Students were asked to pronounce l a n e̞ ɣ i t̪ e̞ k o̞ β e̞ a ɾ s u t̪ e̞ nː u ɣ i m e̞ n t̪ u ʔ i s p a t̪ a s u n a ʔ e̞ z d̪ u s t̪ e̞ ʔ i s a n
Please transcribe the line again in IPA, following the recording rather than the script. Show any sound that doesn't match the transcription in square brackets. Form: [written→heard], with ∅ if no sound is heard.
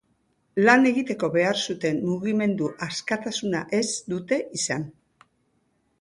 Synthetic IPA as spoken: l a n e̞ ɣ i t̪ e̞ k o̞ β e̞ a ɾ s u t̪ e̞ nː u ɣ i m e̞ n [t̪→d̪] u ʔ [i→a] s [p→k] a t̪ a s u n a ʔ e̞ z d̪ u [s→∅] t̪ e̞ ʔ i s a n